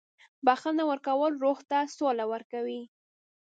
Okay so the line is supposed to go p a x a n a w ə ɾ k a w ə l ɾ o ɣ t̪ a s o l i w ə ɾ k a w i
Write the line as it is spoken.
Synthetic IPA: b a x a n a w ə ɾ k a w ə l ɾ o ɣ t̪ a s o l a w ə ɾ k a w i